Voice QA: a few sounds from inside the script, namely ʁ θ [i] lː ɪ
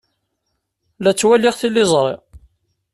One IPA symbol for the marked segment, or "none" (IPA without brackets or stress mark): i